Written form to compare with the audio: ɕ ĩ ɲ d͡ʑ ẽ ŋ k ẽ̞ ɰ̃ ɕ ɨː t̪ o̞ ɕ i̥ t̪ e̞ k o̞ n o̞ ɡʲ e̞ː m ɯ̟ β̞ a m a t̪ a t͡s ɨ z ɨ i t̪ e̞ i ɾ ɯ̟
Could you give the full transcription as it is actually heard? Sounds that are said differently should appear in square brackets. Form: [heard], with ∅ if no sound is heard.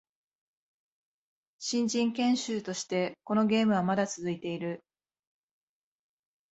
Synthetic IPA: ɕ ĩ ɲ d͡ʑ [ĩ] ŋ k ẽ̞ ɰ̃ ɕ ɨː t̪ o̞ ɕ i̥ t̪ e̞ k o̞ n o̞ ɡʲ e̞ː m ɯ̟ β̞ a m a [d̪] a t͡s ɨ z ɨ i t̪ e̞ i ɾ ɯ̟